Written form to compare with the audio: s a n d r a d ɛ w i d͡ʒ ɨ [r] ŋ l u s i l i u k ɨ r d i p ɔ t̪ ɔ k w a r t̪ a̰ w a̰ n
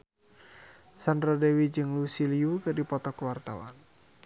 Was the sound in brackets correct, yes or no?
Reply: no